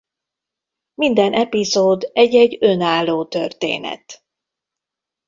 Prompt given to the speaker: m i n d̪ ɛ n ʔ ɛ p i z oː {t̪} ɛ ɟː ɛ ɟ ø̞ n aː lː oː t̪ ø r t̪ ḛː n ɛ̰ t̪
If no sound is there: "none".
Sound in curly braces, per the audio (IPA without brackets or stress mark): d̪